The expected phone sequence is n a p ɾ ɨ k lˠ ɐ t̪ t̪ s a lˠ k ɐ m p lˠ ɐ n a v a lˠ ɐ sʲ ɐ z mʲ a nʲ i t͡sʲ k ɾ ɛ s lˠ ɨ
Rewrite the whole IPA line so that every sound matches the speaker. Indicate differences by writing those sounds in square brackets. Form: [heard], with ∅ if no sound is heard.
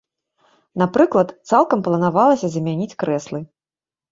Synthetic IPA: n a p ɾ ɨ k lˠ ɐ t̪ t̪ s a lˠ k ɐ m p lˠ ɐ n a v a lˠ ɐ sʲ ɐ z mʲ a nʲ i t͡sʲ k ɾ ɛ s lˠ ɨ